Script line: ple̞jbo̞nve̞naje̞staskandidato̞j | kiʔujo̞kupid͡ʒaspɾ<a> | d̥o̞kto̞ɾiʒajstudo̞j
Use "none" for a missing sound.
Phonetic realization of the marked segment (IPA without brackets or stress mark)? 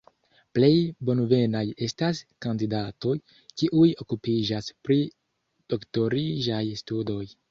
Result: i